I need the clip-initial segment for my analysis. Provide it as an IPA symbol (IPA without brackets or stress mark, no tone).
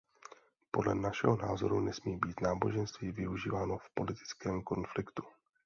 p